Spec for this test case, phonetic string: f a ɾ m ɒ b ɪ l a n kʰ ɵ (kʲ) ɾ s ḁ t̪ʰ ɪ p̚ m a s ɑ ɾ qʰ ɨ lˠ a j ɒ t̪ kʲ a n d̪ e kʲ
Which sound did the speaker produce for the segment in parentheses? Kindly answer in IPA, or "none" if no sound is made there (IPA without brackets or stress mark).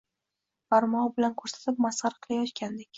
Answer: none